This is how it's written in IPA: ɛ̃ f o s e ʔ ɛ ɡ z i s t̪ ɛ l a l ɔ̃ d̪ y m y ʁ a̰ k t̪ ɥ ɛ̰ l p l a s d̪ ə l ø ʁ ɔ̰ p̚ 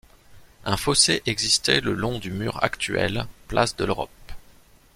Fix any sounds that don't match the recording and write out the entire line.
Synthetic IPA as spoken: ɛ̃ f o s e ʔ ɛ ɡ z i s t̪ ɛ l ə l ɔ̃ d̪ y m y ʁ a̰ k t̪ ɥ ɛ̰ l p l a s d̪ ə l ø ʁ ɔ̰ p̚